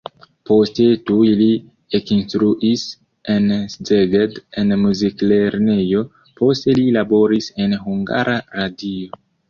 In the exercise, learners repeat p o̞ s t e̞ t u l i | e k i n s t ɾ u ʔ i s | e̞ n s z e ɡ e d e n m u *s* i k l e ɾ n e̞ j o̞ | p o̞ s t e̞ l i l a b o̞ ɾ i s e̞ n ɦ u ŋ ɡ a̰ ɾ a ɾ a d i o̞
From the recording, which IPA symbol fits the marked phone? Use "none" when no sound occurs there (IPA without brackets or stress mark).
z